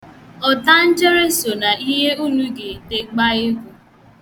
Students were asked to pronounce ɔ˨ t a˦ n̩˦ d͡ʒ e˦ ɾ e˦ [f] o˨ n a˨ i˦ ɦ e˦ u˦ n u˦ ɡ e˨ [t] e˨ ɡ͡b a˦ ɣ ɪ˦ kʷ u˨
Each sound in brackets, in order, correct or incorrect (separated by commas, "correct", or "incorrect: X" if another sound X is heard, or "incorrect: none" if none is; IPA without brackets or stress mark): incorrect: s, correct